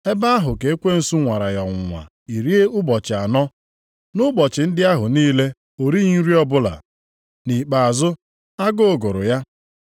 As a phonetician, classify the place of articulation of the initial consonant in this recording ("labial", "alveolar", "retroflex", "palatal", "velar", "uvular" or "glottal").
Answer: labial